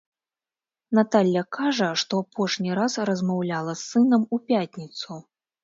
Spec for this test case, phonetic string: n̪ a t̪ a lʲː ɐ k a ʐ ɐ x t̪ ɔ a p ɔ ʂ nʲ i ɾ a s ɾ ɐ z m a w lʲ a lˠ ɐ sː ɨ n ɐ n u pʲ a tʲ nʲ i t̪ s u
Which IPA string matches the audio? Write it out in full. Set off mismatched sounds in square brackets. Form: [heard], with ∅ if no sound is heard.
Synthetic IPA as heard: n̪ a t̪ a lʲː ɐ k a ʐ ɐ [ʂ] t̪ ɔ a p ɔ ʂ nʲ i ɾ a s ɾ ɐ z m a w lʲ a lˠ ɐ sː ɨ n ɐ [m] u pʲ a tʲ nʲ i t̪ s u